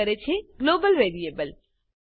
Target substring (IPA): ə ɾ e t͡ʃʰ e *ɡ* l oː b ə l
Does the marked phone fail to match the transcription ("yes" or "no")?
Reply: no